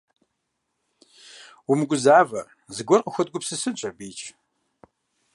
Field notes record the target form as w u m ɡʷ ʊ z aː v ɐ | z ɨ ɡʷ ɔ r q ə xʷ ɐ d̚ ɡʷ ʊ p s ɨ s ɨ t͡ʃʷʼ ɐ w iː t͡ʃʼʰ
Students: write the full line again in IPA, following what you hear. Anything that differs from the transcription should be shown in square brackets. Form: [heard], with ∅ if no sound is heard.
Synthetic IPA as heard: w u m ɡʷ ʊ z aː v ɐ | z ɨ ɡʷ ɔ r q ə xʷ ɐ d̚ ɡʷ ʊ p s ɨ s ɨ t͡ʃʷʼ ɐ [b] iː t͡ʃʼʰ